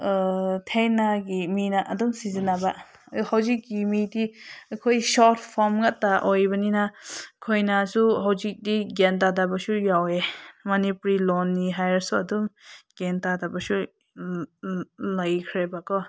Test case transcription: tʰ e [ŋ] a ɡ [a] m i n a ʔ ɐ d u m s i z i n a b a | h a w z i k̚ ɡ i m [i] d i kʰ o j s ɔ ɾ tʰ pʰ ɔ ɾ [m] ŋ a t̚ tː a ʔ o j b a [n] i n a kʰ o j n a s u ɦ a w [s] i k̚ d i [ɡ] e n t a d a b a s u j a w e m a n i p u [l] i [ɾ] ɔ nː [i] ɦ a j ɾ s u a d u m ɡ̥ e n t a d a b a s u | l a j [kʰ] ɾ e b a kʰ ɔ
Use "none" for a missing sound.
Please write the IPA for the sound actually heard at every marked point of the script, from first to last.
n, i, i, m, n, z, ɡ, ɾ, l, i, kʰ

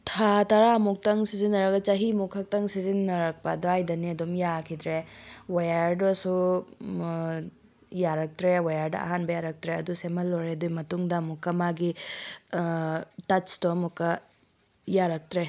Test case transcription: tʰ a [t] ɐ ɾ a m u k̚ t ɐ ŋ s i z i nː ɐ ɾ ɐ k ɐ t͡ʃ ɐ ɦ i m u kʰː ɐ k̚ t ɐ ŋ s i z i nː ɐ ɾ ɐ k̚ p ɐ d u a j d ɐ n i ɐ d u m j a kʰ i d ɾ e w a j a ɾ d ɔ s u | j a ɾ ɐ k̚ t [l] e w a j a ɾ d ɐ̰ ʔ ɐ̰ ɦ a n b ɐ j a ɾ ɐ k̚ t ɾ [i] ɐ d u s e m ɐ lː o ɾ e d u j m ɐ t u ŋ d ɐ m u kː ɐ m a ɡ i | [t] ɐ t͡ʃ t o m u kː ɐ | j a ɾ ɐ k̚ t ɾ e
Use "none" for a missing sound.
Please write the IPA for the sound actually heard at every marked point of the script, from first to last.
t, ɾ, e, t

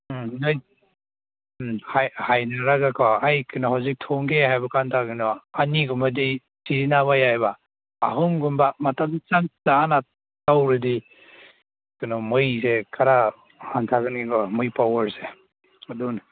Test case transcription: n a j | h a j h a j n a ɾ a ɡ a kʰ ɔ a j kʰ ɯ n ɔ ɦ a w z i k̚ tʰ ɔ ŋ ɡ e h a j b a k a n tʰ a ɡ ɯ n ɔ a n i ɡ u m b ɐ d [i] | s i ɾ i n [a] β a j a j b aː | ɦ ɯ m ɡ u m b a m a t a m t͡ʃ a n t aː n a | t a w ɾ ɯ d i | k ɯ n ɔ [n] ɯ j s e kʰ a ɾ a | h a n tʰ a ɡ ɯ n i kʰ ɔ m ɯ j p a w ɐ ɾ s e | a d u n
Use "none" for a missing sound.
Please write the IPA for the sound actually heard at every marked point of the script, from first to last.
i, a, m

